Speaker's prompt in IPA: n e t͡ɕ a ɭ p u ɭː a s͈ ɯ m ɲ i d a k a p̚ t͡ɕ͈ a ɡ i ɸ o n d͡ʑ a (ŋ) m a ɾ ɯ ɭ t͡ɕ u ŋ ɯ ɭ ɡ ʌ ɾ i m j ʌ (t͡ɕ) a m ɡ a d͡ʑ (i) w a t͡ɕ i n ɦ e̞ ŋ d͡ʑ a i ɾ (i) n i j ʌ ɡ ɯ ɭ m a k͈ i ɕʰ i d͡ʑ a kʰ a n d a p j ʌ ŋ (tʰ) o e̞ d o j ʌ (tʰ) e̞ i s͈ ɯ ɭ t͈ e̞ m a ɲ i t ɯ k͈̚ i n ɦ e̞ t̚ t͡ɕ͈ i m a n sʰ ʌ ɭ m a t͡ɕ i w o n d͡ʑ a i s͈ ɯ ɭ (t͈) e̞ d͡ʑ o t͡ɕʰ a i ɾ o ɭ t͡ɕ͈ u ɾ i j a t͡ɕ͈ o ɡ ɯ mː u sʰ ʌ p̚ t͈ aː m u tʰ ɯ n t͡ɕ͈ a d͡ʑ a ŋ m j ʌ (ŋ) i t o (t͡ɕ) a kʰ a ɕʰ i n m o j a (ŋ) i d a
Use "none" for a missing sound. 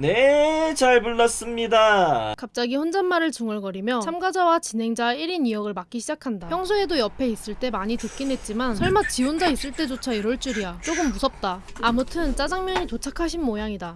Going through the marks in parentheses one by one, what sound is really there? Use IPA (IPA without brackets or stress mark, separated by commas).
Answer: n, t͡ɕʰ, a, i, sʰ, pʰ, t͈, ɲ, t͡ɕʰ, ŋ